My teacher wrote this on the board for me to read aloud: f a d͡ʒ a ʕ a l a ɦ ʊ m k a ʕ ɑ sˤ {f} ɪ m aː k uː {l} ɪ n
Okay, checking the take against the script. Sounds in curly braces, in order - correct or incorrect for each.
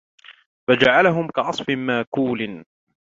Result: correct, correct

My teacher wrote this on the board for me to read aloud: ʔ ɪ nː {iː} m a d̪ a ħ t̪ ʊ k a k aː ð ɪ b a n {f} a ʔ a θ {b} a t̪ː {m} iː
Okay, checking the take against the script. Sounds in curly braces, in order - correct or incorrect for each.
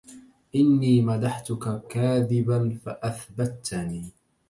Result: correct, correct, correct, incorrect: n

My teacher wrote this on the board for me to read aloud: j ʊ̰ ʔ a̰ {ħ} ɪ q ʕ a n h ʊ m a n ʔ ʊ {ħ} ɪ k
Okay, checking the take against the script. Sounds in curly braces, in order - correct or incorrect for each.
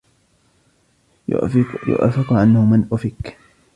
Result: incorrect: f, incorrect: f

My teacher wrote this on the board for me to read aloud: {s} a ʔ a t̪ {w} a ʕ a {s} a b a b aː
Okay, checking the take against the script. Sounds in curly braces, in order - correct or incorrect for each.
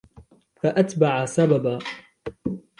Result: incorrect: f, incorrect: b, correct

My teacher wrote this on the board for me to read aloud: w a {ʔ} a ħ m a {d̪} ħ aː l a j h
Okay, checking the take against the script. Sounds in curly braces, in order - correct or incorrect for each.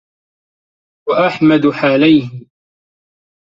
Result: correct, correct

